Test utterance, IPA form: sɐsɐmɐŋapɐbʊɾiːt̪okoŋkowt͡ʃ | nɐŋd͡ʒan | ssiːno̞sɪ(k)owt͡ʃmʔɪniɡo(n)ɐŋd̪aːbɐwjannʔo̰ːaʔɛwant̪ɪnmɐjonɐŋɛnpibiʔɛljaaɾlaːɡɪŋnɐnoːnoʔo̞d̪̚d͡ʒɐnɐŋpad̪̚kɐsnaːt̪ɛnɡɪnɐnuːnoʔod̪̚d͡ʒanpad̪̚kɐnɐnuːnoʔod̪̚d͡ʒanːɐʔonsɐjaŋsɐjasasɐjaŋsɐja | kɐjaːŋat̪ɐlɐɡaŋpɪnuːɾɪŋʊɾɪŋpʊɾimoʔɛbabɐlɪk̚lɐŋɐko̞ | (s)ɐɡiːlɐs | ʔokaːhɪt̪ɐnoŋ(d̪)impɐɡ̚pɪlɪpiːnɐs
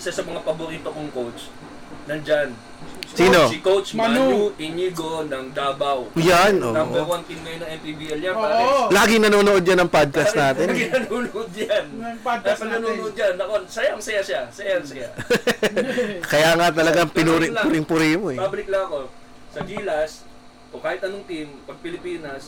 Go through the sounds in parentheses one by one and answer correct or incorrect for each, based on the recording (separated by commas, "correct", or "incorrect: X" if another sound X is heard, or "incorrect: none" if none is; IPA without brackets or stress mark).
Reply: correct, correct, correct, incorrect: t̪